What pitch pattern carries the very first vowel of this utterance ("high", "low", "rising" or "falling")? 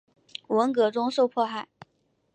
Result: rising